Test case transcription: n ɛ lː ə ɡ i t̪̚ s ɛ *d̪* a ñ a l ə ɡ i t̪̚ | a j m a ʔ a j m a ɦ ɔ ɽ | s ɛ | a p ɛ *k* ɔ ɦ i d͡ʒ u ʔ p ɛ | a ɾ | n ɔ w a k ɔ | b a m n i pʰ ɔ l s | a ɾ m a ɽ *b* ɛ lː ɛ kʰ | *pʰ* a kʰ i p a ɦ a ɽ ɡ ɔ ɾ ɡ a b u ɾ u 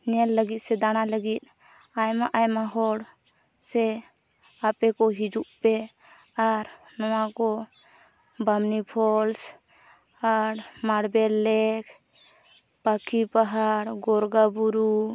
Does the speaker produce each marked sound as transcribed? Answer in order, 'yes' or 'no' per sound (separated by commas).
yes, yes, yes, no